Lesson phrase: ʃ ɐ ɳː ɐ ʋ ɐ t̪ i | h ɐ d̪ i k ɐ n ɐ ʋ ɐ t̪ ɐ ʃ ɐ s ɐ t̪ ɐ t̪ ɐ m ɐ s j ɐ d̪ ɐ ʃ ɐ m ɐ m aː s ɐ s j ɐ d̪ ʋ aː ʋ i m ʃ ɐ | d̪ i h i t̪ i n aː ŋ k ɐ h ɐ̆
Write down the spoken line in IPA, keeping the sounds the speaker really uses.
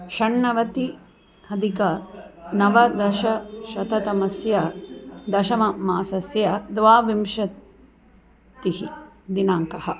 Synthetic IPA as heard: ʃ ɐ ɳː ɐ ʋ ɐ t̪ i | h ɐ d̪ i k ɐ n ɐ ʋ ɐ d̪ ɐ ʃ ɐ ʃ ɐ t̪ ɐ t̪ ɐ m ɐ s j ɐ d̪ ɐ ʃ ɐ m ɐ m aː s ɐ s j ɐ d̪ ʋ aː ʋ i m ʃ ɐ | t̪ i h i d̪ i n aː ŋ k ɐ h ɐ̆